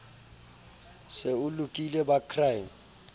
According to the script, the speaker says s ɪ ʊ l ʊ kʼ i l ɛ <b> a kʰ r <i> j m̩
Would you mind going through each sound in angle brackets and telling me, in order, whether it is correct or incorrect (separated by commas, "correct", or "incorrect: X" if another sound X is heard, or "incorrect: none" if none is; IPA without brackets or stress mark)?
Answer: correct, incorrect: a